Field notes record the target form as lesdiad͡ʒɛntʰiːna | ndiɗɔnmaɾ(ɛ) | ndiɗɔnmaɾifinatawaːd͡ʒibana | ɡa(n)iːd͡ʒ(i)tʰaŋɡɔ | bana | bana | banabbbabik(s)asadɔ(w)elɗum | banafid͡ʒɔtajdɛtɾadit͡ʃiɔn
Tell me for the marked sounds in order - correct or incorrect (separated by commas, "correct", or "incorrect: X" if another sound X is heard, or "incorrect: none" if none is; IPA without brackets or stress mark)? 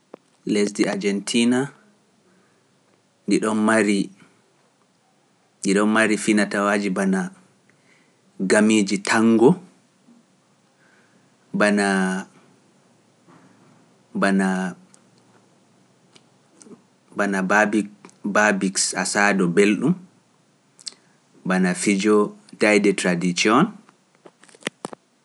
incorrect: i, incorrect: m, correct, correct, incorrect: b